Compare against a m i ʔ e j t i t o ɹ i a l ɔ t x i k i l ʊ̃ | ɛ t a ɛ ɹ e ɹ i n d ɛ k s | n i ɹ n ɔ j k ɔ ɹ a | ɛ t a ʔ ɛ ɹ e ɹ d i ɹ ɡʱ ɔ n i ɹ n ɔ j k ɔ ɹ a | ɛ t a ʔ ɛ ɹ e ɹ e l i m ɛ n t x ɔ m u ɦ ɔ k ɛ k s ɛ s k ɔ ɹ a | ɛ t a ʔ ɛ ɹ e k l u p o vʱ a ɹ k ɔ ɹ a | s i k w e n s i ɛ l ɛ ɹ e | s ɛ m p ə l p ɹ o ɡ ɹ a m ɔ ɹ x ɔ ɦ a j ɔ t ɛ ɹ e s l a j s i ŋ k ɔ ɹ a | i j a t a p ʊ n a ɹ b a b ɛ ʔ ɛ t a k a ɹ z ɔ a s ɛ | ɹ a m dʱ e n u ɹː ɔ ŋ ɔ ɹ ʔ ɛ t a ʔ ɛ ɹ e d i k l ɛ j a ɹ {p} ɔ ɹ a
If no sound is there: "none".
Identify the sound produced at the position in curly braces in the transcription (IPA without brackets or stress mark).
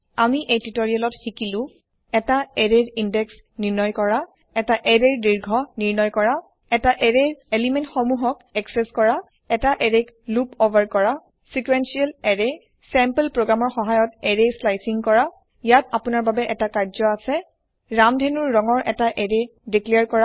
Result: k